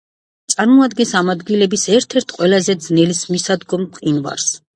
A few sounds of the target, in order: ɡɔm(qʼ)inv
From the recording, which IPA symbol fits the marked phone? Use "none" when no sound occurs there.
qʼ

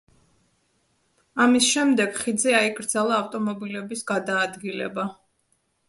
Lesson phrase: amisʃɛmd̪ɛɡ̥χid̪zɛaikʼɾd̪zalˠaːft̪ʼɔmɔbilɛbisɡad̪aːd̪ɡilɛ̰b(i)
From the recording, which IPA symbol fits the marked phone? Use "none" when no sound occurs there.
a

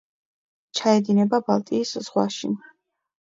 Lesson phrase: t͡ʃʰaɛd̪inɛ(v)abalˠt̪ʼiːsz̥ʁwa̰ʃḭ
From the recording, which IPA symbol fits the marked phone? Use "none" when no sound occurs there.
b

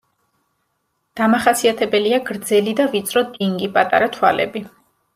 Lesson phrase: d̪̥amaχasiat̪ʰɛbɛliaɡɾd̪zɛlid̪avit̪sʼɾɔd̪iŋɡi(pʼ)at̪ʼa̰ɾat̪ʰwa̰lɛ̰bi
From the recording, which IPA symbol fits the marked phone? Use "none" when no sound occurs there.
pʼ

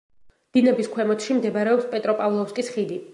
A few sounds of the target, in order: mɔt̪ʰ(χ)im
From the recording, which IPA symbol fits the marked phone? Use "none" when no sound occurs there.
ʃ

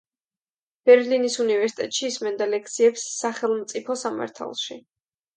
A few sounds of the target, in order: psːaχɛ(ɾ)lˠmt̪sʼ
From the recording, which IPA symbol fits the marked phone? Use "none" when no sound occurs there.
none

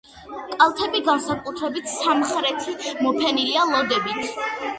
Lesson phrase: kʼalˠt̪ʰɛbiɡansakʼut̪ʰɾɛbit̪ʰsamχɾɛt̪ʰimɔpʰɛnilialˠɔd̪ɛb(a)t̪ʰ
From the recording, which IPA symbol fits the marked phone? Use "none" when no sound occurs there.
i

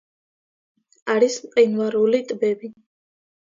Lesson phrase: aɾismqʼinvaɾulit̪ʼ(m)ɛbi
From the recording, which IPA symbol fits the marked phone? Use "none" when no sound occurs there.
b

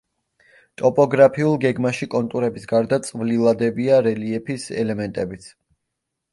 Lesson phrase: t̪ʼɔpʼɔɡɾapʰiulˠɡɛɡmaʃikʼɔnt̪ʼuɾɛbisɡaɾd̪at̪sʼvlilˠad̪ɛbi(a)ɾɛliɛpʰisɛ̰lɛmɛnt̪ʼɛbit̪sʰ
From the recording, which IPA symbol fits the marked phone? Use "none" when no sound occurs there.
a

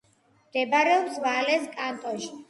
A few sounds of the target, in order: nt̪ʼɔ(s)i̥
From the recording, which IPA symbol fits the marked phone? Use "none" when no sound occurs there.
ʃ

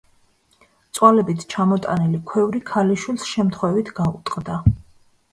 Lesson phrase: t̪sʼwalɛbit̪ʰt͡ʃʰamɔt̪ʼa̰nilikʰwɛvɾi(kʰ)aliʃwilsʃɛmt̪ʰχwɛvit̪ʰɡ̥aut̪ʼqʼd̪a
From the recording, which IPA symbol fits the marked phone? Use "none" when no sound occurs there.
kʰ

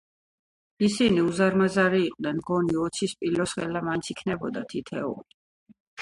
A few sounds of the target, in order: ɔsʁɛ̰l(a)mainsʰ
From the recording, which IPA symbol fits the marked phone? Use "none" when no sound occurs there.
a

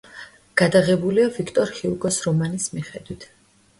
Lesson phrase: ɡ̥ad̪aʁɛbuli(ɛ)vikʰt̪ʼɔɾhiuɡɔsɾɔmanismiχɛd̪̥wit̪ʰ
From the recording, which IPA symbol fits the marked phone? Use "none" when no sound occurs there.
a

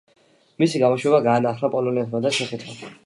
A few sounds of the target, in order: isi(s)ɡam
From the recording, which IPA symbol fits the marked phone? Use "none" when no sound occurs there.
none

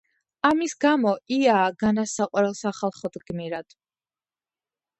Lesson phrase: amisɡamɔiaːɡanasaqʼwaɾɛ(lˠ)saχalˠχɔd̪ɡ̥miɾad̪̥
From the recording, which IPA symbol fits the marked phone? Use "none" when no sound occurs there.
lˠ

